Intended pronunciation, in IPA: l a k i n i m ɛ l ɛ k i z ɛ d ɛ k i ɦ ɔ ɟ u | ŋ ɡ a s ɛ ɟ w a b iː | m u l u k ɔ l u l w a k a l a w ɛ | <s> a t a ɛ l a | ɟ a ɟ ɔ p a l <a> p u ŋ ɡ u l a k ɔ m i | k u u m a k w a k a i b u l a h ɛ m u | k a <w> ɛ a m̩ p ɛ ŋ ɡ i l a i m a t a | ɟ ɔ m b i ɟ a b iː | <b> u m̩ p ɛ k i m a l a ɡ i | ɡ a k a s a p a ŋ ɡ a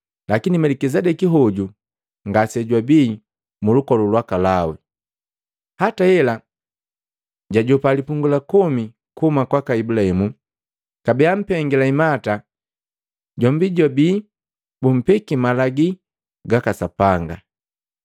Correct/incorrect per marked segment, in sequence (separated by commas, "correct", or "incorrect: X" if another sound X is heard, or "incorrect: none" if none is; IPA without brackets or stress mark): incorrect: h, incorrect: i, incorrect: b, correct